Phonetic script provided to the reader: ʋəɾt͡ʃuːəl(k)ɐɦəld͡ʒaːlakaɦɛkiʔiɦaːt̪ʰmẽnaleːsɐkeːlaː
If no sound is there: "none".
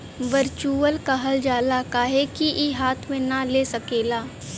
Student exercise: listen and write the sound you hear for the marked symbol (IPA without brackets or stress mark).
k